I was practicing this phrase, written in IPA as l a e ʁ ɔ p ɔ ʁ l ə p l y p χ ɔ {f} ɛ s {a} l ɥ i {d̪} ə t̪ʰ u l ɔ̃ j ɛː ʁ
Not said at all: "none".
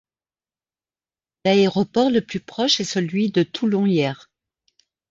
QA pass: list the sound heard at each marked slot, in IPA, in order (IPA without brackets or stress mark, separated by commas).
ʃ, ə, d̪